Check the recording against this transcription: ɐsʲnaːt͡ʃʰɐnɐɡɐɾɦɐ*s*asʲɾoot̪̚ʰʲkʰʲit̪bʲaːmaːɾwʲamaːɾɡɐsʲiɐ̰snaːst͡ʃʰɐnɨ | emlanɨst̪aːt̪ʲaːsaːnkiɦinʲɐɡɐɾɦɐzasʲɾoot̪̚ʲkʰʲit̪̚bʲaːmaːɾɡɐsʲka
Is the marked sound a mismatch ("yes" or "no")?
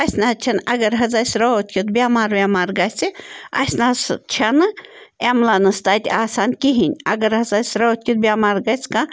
yes